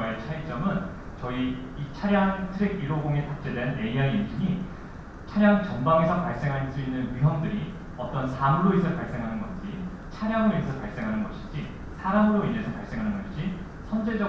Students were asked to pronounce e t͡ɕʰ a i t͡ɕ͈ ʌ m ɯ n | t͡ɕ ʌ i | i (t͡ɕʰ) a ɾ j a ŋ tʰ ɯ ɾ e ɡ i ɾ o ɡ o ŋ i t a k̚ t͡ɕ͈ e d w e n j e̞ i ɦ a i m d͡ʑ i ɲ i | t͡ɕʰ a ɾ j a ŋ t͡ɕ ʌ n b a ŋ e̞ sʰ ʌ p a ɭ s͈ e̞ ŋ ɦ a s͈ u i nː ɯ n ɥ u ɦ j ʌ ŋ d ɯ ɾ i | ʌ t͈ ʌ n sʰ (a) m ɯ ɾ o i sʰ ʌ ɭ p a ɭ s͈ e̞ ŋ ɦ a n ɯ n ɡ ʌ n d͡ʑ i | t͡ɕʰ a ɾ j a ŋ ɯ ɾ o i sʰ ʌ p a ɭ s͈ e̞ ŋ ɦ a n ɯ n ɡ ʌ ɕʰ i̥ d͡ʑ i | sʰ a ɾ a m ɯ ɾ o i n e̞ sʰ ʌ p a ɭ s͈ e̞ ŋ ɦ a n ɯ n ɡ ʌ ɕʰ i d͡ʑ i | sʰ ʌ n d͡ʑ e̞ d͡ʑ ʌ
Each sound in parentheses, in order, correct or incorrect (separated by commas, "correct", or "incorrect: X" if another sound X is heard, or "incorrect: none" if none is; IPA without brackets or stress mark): correct, correct